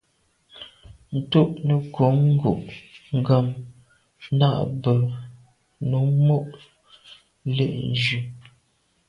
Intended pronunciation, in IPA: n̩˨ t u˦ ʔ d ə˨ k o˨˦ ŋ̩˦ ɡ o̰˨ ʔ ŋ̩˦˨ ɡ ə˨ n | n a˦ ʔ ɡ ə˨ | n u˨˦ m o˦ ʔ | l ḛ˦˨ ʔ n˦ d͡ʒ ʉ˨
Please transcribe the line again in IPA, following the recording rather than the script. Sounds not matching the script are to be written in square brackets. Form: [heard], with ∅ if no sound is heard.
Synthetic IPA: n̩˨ t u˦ ʔ [n] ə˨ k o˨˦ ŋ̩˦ ɡ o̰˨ ʔ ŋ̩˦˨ ɡ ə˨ [m] | n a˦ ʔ [b] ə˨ | n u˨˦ m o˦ ʔ | l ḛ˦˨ ʔ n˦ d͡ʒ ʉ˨